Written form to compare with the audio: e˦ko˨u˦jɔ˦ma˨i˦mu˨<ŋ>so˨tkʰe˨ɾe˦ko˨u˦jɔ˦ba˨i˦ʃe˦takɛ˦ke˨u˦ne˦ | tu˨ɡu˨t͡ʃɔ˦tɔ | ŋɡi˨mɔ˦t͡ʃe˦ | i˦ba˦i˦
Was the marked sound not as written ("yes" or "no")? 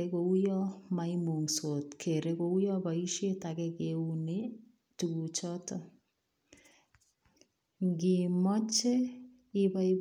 no